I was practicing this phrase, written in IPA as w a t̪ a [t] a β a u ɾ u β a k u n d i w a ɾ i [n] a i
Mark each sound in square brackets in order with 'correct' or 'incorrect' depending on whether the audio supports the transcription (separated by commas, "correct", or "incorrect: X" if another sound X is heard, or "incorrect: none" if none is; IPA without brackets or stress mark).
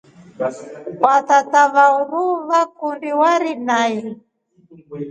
correct, correct